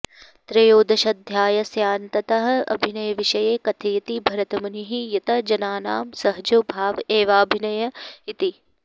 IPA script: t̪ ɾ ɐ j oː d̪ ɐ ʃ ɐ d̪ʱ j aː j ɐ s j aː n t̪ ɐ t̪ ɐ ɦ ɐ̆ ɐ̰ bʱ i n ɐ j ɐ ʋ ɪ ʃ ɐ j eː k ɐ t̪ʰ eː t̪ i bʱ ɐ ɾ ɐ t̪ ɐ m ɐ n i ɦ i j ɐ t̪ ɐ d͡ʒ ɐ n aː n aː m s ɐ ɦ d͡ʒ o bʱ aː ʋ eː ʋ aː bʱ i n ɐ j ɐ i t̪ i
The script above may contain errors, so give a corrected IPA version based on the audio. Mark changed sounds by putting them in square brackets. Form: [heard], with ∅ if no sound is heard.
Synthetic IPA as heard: t̪ ɾ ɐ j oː d̪ ɐ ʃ ɐ d̪ʱ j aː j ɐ s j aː n t̪ ɐ t̪ ɐ ɦ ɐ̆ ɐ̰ bʱ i n ɐ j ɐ ʋ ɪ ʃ ɐ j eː k ɐ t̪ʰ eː t̪ i bʱ ɐ ɾ ɐ t̪ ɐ m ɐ n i ɦ i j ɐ t̪ ɐ d͡ʒ ɐ n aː n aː m s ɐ ɦ d͡ʒ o bʱ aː ʋ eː ʋ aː bʱ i n ɐ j ɐ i t̪ i

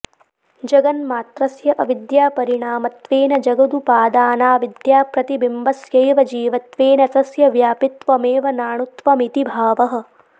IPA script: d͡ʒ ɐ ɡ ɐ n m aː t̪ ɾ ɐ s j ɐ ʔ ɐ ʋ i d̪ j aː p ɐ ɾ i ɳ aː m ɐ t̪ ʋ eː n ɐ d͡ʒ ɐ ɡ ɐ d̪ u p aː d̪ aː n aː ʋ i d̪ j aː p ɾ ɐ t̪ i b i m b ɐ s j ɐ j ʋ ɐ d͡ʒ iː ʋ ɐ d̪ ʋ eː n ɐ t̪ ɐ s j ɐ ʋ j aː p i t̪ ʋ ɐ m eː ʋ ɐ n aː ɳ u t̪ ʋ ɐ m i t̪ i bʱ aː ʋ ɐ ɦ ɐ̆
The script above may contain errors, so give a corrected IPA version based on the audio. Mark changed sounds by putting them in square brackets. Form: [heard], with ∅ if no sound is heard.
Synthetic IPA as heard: d͡ʒ ɐ ɡ ɐ n m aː t̪ ɾ ɐ s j ɐ ʔ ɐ ʋ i d̪ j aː p ɐ ɾ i ɳ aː m ɐ t̪ ʋ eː n ɐ d͡ʒ ɐ ɡ ɐ d̪ u p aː d̪ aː n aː ʋ i d̪ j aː p ɾ ɐ t̪ i b i m b ɐ s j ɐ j ʋ ɐ d͡ʒ iː ʋ ɐ [t̪] ʋ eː n ɐ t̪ ɐ s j ɐ ʋ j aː p i t̪ ʋ ɐ m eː ʋ ɐ n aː ɳ u t̪ ʋ ɐ m i t̪ i bʱ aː ʋ ɐ ɦ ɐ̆

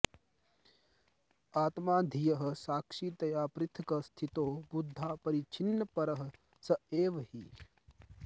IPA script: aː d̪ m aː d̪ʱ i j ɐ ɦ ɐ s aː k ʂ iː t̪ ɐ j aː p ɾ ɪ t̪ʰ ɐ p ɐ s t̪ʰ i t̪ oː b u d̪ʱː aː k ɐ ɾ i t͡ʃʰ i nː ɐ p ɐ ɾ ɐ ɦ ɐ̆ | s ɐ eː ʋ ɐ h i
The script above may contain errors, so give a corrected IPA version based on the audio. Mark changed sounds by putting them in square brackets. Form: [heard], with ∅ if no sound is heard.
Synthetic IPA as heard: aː [t̪] m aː d̪ʱ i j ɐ ɦ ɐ s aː k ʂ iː t̪ ɐ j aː p ɾ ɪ t̪ʰ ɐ [k] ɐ s t̪ʰ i t̪ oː b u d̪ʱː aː [p] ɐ ɾ i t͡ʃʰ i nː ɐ p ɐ ɾ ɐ ɦ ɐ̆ | s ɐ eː ʋ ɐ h i

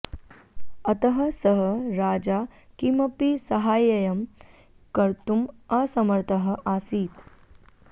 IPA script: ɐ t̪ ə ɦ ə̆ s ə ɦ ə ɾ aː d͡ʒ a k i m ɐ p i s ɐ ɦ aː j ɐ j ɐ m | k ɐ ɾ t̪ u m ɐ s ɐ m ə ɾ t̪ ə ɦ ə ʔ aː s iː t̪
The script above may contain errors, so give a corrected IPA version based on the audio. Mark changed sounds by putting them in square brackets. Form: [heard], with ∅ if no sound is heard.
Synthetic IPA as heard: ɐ t̪ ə ɦ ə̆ s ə ɦ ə ɾ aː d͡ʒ a k i m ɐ p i s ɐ ɦ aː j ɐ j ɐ m | k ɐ ɾ t̪ u m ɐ s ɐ m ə ɾ t̪ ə ɦ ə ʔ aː s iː t̪

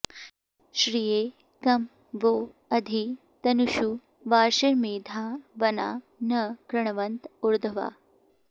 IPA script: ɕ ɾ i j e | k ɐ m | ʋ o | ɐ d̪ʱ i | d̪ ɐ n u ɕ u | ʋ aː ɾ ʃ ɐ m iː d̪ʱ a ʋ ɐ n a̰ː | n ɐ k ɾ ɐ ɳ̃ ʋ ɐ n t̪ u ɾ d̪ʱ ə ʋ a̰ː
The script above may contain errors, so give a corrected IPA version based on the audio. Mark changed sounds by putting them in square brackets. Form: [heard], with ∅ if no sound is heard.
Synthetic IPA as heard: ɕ ɾ i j e | k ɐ m | ʋ o | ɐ d̪ʱ i | [t̪] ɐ n u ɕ u | ʋ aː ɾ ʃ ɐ m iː d̪ʱ a ʋ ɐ n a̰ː | n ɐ k ɾ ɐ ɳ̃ ʋ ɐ n t̪ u ɾ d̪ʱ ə ʋ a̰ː

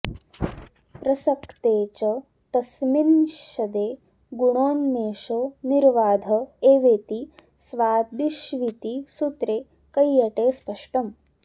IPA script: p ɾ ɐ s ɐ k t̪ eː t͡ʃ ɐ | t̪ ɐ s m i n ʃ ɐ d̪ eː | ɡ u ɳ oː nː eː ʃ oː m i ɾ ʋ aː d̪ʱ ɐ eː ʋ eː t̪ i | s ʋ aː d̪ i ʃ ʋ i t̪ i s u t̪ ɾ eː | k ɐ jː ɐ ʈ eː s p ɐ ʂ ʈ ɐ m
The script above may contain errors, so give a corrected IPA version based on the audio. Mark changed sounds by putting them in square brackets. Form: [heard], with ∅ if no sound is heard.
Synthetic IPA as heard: p ɾ ɐ s ɐ k t̪ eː t͡ʃ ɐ | t̪ ɐ s m i n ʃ ɐ d̪ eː | ɡ u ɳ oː nː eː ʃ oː [n] i ɾ ʋ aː d̪ʱ ɐ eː ʋ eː t̪ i | s ʋ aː d̪ i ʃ ʋ i t̪ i s u t̪ ɾ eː | k ɐ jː ɐ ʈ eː s p ɐ ʂ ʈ ɐ m

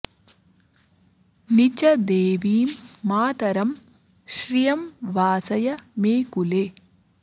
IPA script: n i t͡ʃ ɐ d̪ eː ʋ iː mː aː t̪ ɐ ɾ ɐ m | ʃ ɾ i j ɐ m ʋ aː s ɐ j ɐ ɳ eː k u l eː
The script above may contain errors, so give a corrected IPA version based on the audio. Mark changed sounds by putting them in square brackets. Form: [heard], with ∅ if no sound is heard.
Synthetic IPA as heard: n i t͡ʃ ɐ d̪ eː ʋ iː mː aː t̪ ɐ ɾ ɐ m | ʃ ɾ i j ɐ m ʋ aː s ɐ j ɐ [m] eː k u l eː

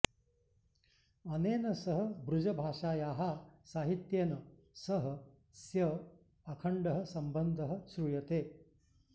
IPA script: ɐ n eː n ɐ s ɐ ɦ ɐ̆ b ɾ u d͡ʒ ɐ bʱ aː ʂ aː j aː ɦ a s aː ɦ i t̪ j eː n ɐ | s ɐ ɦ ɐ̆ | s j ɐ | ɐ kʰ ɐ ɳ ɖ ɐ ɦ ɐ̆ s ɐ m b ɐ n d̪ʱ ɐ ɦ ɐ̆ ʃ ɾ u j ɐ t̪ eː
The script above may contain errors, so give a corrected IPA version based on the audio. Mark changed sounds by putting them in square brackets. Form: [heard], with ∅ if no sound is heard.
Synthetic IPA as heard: ɐ n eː n ɐ s ɐ ɦ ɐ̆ b ɾ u d͡ʒ ɐ bʱ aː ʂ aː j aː ɦ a s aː ɦ i t̪ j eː n ɐ | s ɐ ɦ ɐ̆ | s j ɐ | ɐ kʰ ɐ ɳ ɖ ɐ ɦ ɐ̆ s ɐ m b ɐ n d̪ʱ ɐ ɦ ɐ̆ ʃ ɾ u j ɐ t̪ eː

